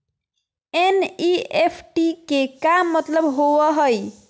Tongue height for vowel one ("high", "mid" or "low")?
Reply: mid